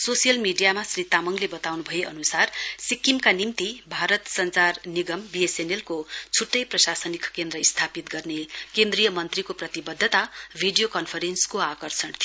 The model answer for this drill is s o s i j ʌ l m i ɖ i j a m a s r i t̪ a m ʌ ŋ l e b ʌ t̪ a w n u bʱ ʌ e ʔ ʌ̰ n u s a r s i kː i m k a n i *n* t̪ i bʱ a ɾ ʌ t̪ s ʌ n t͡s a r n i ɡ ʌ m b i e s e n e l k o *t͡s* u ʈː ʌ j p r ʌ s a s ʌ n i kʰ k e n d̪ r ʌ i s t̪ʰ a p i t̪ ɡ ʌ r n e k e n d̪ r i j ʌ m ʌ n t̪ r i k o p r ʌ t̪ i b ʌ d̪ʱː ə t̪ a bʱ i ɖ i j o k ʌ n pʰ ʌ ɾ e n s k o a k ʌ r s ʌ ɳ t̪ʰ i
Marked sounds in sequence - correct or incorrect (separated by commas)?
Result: incorrect, incorrect